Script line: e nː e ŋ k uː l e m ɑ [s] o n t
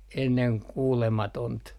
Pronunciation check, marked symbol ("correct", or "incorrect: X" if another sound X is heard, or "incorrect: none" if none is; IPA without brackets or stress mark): incorrect: t